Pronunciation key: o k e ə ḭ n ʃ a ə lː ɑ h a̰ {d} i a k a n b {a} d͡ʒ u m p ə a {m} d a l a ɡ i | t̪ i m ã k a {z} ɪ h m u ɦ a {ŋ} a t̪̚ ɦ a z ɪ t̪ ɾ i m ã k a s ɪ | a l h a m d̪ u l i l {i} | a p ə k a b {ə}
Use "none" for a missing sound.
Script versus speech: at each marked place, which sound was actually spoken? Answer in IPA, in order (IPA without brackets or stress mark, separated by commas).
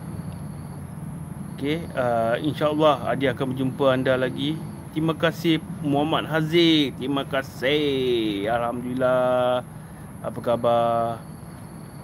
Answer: d, ə, n, s, m, a, a